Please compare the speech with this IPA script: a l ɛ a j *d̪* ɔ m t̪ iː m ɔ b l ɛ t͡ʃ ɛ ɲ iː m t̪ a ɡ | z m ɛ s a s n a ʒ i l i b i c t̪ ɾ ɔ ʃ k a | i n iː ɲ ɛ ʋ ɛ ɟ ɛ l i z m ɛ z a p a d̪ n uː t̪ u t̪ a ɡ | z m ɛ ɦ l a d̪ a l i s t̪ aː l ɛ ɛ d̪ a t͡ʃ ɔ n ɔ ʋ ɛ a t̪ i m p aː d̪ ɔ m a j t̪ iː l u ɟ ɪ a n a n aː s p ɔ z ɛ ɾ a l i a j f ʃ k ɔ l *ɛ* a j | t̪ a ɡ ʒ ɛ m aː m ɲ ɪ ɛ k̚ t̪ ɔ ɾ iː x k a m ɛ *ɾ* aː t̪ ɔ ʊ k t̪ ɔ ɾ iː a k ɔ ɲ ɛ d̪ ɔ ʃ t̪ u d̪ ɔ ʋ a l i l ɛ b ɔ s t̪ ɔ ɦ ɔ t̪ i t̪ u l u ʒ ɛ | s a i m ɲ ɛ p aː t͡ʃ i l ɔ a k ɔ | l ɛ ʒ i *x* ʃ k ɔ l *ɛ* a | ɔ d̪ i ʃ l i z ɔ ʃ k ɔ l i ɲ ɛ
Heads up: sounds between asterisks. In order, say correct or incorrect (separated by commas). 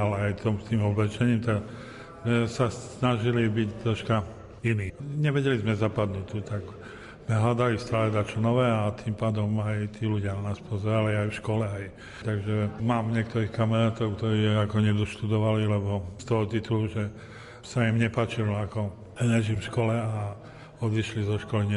incorrect, correct, correct, incorrect, correct